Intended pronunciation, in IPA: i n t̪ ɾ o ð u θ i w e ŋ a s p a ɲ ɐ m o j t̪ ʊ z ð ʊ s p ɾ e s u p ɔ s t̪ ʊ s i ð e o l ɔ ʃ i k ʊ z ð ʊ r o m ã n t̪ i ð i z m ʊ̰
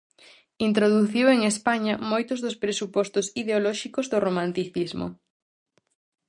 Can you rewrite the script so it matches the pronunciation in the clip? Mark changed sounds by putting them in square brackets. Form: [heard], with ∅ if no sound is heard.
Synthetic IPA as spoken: i n t̪ ɾ o ð u θ i w e ŋ [e] s p a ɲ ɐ m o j t̪ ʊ z ð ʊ s p ɾ e s u p ɔ s t̪ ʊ s i ð e o l ɔ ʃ i k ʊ z ð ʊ r o m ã n t̪ i [θ] i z m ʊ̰